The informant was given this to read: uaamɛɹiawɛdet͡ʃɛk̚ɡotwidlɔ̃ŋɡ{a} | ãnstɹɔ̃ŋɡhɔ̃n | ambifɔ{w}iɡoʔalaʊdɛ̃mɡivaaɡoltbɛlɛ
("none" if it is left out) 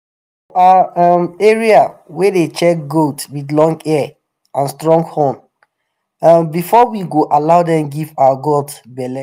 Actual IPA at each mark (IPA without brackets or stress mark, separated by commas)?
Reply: ɛ, w